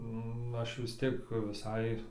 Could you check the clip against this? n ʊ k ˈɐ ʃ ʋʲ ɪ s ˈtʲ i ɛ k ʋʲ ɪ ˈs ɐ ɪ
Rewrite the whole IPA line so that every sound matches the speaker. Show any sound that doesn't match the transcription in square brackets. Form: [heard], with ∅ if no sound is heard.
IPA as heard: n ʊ [∅] ˈɐ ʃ ʋʲ ɪ s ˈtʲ i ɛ k ʋʲ ɪ ˈs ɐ ɪ